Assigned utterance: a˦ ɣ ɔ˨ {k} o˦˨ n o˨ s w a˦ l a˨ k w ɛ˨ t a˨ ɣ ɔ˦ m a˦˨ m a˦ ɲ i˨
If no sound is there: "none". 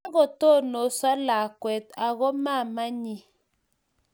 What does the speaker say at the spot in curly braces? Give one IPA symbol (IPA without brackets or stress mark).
t